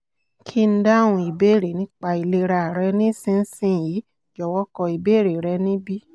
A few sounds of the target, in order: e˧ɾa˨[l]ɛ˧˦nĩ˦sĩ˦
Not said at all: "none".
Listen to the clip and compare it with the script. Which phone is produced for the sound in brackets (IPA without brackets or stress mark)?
ɾ